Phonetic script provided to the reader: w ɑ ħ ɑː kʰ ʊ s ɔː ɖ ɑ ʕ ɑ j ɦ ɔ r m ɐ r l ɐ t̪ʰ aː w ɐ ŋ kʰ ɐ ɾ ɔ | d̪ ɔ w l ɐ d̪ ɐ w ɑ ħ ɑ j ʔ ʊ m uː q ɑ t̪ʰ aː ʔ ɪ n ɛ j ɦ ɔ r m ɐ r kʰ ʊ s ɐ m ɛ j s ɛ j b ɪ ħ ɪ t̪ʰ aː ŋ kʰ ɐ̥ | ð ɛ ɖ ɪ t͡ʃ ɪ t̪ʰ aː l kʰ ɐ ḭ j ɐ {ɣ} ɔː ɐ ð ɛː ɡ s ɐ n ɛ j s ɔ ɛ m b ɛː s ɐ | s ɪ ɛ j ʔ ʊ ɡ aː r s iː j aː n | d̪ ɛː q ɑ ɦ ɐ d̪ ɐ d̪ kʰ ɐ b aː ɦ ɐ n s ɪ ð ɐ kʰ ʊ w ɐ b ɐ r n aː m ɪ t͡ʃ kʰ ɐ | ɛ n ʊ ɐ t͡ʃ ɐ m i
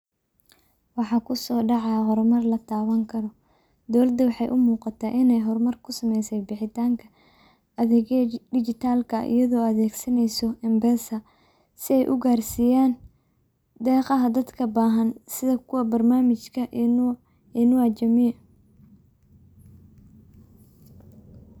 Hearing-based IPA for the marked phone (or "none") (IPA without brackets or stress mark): ð